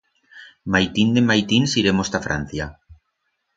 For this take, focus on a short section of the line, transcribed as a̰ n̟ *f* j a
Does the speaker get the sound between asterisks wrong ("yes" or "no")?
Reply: yes